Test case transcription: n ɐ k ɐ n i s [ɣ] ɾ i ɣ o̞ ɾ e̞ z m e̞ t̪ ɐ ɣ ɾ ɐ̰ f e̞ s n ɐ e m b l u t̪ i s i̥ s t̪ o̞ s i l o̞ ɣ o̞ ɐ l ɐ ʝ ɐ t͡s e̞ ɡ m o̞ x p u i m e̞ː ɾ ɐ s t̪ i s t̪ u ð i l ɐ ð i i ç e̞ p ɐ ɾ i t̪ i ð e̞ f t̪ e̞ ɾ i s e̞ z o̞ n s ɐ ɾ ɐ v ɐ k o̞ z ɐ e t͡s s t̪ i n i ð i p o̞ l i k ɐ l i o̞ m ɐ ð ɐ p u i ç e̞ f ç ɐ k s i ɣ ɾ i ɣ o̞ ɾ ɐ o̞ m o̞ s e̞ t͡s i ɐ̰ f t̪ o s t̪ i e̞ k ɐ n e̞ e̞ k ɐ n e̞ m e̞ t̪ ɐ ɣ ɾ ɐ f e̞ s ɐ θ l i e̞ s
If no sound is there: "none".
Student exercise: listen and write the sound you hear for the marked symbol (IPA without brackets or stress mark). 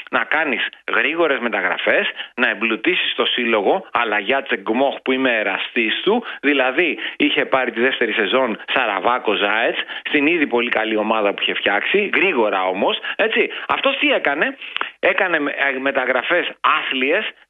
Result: ɣ